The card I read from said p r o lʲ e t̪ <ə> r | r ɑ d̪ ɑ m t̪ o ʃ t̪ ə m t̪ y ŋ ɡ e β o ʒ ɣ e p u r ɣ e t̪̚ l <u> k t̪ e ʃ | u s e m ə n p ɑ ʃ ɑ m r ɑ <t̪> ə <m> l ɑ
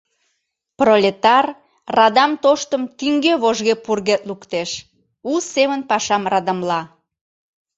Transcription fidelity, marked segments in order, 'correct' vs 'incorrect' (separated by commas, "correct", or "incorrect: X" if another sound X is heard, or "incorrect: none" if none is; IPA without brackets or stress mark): incorrect: ɑ, correct, incorrect: d̪, correct